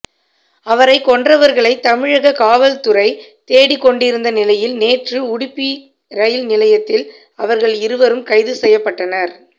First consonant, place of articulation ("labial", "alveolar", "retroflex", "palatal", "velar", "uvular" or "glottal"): labial